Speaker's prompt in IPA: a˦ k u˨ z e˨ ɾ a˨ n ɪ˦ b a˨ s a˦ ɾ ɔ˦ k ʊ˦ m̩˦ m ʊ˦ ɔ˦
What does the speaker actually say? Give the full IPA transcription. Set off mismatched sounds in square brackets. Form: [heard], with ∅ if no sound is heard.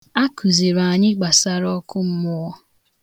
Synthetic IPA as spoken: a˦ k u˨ z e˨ ɾ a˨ [ɲ] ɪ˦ [ɡ͡b] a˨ s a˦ ɾ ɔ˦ k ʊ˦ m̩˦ m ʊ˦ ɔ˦